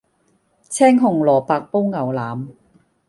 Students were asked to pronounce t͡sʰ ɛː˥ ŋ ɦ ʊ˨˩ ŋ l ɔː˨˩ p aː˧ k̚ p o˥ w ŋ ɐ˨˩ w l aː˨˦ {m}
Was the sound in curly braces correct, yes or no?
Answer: yes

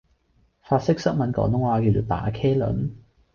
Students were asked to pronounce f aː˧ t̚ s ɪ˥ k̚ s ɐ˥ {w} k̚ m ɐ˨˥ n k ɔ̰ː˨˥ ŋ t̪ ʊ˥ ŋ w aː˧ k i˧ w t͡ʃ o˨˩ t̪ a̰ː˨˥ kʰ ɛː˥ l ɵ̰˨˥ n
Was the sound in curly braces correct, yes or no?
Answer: no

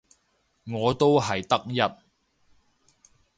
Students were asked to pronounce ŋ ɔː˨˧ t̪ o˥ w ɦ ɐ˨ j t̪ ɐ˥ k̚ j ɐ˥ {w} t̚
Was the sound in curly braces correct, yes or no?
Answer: no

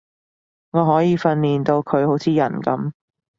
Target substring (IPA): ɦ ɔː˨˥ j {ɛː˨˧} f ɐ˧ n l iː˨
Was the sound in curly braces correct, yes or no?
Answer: no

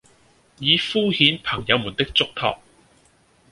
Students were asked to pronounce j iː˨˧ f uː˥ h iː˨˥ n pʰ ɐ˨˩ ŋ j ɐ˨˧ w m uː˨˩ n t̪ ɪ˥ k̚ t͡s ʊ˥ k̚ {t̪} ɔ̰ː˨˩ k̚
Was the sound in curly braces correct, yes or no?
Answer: no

